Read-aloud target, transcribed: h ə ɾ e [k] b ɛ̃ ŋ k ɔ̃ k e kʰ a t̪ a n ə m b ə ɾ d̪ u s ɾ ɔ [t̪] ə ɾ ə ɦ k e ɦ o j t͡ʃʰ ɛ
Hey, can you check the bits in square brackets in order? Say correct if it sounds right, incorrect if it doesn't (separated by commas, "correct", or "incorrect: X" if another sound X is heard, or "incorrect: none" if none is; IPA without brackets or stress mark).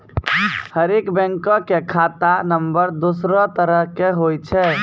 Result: correct, correct